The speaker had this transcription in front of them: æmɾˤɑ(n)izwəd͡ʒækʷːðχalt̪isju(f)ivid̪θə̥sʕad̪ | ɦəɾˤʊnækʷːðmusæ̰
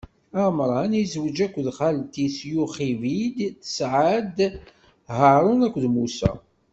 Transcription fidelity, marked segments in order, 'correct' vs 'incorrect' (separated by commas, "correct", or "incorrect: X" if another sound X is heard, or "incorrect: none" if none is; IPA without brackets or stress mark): correct, incorrect: χ